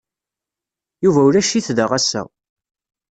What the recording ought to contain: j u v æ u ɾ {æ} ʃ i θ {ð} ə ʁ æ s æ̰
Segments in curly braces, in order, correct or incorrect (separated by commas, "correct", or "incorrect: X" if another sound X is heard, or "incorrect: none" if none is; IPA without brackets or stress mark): correct, correct